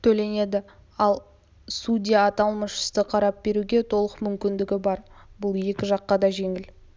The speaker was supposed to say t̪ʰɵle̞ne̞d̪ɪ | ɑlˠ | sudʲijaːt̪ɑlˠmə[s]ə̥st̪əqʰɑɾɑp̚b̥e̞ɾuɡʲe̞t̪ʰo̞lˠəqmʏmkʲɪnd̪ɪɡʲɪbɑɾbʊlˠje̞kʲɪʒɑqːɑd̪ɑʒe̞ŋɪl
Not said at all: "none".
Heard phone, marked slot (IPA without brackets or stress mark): ʃ